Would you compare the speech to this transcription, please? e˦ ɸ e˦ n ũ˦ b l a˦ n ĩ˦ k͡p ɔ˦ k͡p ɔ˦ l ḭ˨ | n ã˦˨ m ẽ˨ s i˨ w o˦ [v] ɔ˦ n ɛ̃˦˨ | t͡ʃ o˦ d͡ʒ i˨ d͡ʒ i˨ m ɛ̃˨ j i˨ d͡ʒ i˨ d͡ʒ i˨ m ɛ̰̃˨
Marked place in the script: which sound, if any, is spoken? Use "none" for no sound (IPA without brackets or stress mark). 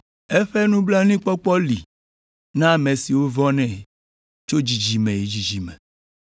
v